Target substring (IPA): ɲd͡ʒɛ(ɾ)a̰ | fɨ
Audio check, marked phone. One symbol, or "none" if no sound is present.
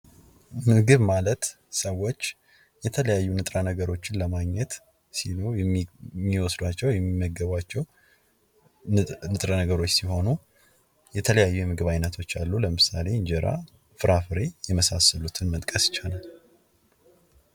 ɾ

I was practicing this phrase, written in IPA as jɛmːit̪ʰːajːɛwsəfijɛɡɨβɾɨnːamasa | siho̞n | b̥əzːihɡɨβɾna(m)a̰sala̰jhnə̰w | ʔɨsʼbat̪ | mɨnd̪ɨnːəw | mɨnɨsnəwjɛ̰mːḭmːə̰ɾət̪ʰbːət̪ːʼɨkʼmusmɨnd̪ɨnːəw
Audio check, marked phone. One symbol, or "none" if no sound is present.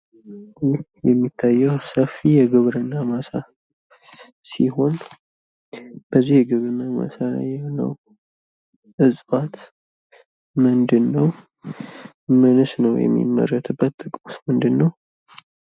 m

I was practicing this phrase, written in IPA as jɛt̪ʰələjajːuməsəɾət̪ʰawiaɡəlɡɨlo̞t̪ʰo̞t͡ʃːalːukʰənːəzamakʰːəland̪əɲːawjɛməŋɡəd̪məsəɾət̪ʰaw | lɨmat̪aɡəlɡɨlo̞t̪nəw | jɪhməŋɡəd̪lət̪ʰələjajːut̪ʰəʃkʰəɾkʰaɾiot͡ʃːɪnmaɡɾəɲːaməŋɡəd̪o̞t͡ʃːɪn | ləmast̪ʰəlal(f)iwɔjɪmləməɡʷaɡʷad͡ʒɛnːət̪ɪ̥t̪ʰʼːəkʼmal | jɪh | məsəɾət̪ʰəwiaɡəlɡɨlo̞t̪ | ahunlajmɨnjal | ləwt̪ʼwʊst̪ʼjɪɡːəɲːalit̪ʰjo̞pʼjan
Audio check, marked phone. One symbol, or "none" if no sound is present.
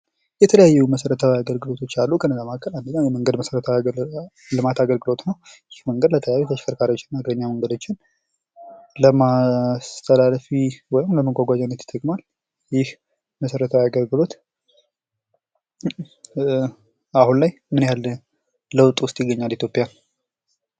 f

